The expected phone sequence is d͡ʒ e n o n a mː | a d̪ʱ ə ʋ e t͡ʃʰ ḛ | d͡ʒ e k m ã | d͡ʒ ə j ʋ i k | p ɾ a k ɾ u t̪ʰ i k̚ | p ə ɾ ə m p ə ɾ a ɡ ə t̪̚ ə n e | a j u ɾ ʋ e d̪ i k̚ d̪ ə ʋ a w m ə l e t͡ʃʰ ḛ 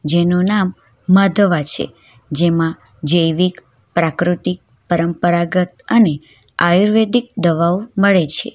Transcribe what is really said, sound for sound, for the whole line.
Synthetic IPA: d͡ʒ e n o n a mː | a d̪ʱ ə ʋ a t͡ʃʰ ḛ | d͡ʒ e m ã | d͡ʒ ə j ʋ i k | p ɾ a k ɾ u t̪ i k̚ | p ə ɾ ə m p ə ɾ a ɡ ə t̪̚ ə n e | a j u ɾ ʋ e d̪ i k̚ d̪ ə ʋ a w m ə ɭ e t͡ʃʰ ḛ